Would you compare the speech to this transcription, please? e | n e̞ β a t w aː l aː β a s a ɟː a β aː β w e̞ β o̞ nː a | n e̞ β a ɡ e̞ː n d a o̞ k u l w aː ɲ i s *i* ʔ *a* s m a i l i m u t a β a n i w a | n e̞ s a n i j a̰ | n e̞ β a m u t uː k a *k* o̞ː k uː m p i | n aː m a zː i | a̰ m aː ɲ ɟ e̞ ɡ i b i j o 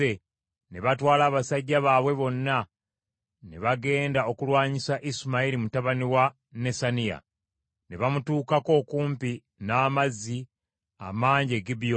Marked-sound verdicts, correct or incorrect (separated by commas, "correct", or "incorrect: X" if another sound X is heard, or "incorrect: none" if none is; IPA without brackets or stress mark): incorrect: a, incorrect: i, correct